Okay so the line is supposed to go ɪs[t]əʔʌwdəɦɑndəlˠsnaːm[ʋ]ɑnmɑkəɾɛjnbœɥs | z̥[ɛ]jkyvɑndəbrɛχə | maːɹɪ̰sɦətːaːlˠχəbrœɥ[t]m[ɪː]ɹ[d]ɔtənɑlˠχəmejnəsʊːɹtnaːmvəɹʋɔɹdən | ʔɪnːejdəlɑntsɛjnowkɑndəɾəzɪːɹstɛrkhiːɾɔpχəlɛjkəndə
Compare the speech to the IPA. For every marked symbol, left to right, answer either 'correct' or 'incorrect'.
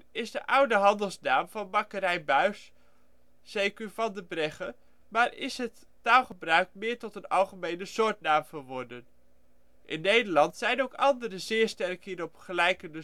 incorrect, incorrect, incorrect, incorrect, correct, incorrect

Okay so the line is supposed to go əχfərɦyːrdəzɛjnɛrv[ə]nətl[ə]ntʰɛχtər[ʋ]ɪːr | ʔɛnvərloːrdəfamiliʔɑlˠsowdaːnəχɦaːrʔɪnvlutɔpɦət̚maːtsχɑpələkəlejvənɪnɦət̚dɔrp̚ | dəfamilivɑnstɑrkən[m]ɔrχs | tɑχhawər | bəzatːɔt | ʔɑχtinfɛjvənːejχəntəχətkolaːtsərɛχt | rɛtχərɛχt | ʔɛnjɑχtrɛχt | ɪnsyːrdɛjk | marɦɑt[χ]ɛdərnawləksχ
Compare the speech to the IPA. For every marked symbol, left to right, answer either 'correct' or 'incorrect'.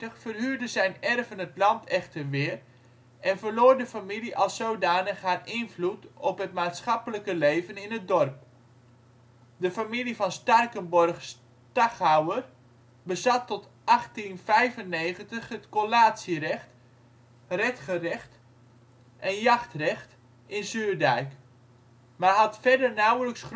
correct, incorrect, correct, incorrect, incorrect

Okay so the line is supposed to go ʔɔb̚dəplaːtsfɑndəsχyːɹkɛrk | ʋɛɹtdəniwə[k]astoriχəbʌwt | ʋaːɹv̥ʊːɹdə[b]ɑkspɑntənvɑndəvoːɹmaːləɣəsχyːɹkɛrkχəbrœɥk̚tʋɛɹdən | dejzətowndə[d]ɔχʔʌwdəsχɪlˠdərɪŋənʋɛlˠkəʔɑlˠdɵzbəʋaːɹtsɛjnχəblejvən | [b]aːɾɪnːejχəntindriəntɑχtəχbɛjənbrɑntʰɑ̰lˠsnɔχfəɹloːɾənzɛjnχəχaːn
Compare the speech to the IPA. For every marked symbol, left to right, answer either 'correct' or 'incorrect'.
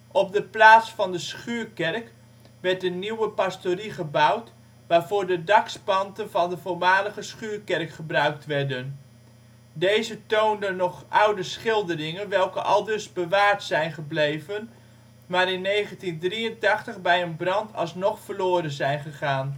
incorrect, incorrect, incorrect, incorrect

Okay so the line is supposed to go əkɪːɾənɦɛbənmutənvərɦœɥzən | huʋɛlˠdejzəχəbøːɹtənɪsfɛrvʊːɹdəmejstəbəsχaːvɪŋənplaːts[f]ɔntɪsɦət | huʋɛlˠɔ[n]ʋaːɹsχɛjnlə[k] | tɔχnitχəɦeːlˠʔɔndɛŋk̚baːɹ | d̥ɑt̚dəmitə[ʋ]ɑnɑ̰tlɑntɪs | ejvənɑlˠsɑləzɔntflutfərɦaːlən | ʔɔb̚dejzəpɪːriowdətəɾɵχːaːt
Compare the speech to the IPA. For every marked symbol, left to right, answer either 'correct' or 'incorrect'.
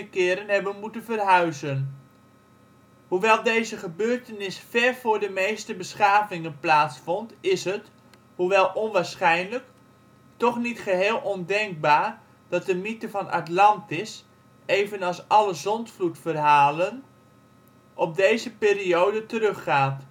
correct, correct, correct, incorrect

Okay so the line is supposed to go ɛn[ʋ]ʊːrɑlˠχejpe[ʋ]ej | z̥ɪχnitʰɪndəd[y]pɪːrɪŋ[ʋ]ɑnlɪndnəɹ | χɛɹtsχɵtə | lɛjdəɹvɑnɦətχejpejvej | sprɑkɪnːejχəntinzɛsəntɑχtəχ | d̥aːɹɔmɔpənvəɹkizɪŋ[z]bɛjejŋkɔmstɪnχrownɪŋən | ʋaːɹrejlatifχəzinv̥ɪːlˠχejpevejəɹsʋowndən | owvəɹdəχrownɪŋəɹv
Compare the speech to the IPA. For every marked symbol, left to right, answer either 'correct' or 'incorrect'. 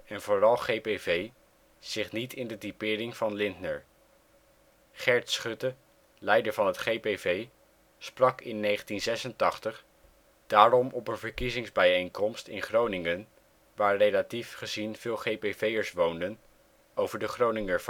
incorrect, incorrect, incorrect, incorrect, correct

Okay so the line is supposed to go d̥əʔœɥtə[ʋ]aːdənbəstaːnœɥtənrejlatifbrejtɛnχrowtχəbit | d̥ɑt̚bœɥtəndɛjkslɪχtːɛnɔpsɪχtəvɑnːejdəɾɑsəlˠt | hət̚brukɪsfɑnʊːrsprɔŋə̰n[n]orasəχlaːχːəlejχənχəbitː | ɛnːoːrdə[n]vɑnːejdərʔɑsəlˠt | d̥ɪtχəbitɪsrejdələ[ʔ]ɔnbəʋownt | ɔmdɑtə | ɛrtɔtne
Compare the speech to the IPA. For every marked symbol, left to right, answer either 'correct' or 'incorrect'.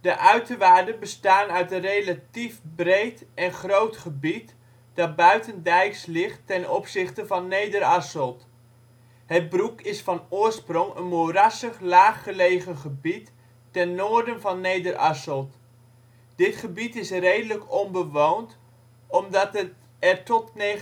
correct, incorrect, correct, incorrect

